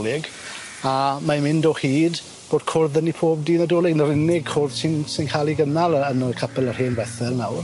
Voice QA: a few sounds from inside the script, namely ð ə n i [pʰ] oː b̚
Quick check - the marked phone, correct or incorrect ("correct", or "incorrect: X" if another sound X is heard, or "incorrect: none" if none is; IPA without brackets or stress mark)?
correct